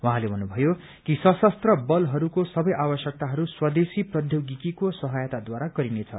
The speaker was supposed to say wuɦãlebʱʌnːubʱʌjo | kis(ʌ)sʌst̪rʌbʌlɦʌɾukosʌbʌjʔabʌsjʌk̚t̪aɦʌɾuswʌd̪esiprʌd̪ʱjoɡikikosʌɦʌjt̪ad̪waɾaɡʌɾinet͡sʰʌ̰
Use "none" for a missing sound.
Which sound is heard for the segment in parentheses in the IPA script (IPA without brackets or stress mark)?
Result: ʌ